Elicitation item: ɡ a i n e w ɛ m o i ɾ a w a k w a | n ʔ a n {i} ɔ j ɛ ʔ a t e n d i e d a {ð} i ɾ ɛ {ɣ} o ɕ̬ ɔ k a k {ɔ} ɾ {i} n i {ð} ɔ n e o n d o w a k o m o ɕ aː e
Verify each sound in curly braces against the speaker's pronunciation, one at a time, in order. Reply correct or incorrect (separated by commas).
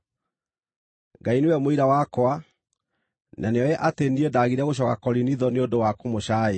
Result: incorrect, incorrect, correct, correct, correct, correct